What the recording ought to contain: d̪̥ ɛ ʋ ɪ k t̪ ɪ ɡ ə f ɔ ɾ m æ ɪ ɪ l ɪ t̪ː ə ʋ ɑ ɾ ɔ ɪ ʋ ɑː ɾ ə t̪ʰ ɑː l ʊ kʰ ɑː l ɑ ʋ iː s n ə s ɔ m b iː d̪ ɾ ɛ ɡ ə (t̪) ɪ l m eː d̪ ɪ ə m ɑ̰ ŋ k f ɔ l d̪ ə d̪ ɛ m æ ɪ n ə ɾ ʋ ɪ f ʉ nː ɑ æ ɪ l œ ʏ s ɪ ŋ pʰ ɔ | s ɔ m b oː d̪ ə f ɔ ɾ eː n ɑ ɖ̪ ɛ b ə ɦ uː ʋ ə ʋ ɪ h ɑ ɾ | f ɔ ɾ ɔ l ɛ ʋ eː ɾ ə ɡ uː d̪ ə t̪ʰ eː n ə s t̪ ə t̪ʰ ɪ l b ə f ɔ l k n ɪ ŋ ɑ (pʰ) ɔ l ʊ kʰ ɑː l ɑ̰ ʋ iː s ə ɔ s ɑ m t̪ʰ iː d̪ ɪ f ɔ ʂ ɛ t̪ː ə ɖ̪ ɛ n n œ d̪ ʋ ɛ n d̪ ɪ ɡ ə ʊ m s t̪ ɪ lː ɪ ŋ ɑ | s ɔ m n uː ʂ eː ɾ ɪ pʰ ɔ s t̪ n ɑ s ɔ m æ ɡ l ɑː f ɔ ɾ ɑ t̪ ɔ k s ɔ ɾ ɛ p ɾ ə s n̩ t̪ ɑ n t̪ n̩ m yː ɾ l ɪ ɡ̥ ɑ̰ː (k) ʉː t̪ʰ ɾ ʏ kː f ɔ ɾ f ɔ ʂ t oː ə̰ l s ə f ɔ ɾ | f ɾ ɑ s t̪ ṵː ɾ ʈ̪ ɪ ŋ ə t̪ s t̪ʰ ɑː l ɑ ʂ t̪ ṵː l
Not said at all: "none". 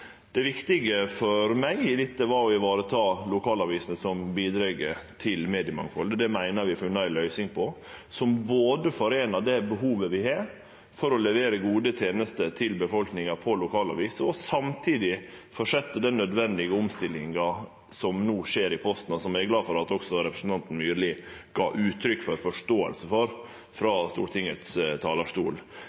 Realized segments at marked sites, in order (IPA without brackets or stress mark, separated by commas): t̪ʰ, pʰ, ʔ